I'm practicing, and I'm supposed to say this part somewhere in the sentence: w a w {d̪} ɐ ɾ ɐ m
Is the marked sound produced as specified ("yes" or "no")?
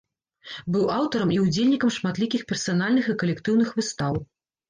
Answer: no